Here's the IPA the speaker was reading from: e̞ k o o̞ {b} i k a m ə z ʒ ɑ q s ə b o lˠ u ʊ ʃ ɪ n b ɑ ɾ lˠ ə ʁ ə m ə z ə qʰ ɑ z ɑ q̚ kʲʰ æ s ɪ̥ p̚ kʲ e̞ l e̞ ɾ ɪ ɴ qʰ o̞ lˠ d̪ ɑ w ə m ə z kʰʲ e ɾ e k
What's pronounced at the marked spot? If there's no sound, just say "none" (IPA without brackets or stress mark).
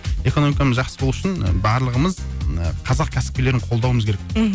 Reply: m